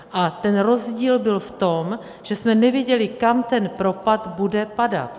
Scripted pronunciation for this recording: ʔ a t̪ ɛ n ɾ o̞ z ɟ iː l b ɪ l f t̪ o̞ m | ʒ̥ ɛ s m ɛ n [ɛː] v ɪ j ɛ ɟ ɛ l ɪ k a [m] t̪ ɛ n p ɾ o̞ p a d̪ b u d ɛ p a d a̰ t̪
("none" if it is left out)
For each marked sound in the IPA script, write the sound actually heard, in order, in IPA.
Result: ɛ, m

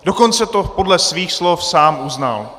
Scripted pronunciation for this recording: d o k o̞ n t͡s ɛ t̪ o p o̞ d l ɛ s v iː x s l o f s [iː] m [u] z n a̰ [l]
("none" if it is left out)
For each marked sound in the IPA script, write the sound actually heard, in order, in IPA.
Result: aː, u, l

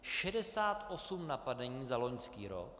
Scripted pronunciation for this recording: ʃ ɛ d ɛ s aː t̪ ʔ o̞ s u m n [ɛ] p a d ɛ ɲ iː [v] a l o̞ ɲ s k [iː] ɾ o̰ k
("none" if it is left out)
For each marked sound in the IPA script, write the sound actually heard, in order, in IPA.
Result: a, z, iː

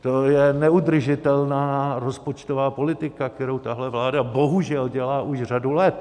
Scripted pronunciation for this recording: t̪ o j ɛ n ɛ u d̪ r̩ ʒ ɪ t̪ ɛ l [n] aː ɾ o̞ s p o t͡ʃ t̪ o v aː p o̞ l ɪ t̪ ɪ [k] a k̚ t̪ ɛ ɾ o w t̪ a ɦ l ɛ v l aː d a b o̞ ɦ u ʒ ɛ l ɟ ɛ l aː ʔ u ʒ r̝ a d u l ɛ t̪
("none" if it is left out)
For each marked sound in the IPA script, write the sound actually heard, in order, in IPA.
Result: n, k

